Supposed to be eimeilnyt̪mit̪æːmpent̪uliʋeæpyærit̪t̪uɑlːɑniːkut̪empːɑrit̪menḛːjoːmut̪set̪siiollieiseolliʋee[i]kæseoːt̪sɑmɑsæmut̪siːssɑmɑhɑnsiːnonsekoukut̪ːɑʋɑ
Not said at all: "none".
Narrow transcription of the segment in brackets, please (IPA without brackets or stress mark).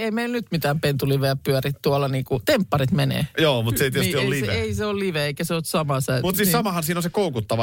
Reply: i